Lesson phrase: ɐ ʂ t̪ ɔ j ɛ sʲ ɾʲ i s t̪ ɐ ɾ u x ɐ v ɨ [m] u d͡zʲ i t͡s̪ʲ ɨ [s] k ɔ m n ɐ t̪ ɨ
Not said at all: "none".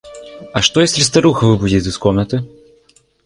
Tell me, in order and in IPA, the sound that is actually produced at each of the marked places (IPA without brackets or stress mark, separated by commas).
b, s